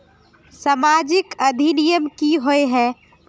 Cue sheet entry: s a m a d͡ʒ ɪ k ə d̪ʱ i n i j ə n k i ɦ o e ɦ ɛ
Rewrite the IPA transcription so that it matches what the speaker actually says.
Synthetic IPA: s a m a d͡ʒ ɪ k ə d̪ʱ i n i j ə m k i ɦ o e ɦ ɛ